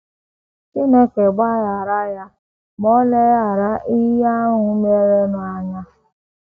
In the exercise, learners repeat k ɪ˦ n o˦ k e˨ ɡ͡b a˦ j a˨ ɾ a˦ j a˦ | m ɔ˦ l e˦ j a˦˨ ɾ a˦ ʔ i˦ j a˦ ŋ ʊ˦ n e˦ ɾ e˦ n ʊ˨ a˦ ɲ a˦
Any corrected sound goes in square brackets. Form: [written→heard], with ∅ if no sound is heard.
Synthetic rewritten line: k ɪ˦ n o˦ k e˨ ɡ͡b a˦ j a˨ ɾ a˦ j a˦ | m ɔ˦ l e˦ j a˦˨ ɾ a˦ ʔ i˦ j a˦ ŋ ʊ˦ [n→m] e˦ ɾ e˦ n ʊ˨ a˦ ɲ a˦